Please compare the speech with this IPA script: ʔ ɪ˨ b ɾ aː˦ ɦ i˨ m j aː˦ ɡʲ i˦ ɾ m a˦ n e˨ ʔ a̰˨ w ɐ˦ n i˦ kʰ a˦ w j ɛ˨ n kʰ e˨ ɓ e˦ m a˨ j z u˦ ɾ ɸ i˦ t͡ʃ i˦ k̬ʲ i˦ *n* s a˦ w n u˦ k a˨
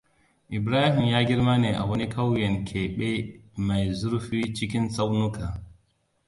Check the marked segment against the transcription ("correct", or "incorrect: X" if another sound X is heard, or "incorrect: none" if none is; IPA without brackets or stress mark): correct